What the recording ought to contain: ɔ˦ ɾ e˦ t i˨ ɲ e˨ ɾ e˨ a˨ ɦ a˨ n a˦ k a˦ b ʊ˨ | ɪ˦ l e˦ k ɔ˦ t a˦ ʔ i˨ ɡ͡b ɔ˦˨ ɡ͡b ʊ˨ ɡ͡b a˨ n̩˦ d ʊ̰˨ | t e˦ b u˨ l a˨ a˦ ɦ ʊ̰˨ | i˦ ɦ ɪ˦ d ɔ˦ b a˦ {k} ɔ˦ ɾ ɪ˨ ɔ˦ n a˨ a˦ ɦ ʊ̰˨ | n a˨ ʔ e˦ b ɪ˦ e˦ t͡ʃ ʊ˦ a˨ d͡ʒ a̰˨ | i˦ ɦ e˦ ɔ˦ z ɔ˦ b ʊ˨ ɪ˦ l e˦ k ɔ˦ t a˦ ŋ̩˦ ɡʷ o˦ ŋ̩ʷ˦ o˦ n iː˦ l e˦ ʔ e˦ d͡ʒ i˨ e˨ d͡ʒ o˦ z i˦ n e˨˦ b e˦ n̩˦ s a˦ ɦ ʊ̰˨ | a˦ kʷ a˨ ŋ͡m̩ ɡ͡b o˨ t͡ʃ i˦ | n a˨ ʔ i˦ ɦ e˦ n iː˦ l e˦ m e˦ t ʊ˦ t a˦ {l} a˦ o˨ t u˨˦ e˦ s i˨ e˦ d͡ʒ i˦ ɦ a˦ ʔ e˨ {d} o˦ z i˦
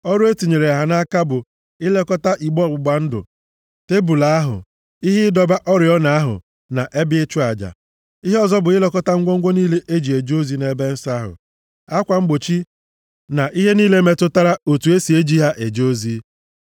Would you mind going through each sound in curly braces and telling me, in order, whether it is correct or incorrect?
incorrect: ʔ, incorrect: ɾ, incorrect: d͡ʒ

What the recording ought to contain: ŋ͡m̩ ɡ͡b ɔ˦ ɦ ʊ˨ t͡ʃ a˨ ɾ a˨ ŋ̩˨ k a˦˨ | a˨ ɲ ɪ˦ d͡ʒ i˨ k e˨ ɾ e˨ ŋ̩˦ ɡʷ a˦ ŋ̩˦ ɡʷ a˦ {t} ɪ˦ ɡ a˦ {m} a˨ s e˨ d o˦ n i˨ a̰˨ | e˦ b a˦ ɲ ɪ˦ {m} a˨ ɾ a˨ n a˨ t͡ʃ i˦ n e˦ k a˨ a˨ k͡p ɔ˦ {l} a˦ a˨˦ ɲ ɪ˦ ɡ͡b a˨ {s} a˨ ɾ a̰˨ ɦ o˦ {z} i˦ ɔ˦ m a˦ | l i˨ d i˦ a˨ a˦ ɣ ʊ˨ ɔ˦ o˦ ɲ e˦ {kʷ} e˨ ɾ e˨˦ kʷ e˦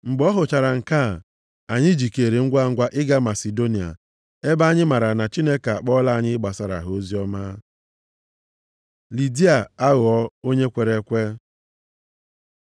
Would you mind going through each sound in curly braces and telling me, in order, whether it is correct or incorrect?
incorrect: ʔ, correct, correct, correct, correct, correct, correct

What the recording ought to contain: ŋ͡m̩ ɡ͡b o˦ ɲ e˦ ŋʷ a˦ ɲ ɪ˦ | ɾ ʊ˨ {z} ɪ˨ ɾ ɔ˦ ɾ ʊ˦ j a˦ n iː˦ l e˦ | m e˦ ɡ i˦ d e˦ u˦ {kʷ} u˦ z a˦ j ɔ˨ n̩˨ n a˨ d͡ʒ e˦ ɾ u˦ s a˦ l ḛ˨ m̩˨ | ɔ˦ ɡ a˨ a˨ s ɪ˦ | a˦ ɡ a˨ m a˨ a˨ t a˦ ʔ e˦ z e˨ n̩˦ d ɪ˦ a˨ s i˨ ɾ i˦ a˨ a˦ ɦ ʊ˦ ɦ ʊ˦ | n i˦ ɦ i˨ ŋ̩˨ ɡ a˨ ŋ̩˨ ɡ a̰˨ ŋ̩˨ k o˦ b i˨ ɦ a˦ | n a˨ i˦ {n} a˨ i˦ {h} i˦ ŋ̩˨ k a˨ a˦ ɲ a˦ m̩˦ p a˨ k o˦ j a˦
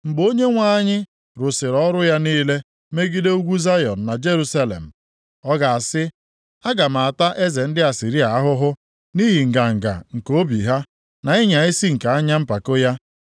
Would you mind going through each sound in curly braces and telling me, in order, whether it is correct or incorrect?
incorrect: s, incorrect: ɡʷ, incorrect: ɲ, incorrect: s

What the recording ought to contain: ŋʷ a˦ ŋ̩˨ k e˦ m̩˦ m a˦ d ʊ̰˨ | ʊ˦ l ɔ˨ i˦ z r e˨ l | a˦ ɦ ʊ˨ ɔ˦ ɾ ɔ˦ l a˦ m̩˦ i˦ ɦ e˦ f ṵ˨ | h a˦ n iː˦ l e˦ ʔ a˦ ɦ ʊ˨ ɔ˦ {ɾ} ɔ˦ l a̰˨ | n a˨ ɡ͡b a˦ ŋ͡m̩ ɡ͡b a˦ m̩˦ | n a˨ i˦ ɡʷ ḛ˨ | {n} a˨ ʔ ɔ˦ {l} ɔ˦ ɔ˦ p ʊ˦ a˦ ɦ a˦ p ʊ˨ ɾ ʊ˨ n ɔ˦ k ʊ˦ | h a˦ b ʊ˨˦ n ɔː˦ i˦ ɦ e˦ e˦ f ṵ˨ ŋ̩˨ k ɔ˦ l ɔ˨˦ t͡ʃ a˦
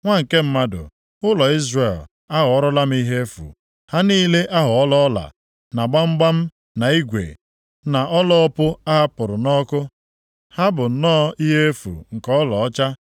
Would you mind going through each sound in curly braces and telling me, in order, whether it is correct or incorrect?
incorrect: l, correct, correct

